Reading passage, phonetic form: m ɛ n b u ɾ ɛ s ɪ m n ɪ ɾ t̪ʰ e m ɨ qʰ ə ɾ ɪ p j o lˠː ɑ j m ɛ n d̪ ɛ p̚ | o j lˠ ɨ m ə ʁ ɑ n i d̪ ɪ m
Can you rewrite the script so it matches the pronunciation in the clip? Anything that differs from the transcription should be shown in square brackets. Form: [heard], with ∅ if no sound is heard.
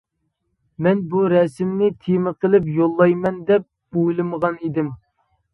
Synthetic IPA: m ɛ n b u ɾ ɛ s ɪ m n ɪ [∅] t̪ʰ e m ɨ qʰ ə [l] ɪ p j o lˠː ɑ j m ɛ n d̪ ɛ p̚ | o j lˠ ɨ m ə ʁ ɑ n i d̪ ɪ m